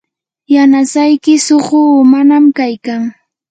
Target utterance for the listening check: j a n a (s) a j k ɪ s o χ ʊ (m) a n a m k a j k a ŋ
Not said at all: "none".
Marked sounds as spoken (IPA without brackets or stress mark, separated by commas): s, m